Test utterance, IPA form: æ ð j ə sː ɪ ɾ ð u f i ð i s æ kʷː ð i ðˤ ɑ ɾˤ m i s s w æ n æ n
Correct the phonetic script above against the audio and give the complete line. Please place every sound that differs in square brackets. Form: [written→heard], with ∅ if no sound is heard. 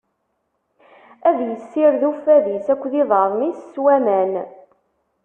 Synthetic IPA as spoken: æ ð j ə sː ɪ ɾ ð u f [i→æ] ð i s æ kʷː ð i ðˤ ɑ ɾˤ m i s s w æ [n→m] æ n